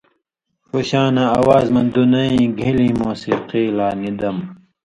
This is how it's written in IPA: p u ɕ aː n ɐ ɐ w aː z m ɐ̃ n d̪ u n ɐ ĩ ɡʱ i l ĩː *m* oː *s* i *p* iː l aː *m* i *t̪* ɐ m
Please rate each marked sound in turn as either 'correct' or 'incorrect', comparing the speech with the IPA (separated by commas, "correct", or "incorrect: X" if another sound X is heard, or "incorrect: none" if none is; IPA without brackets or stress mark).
correct, correct, incorrect: q, incorrect: n, incorrect: d̪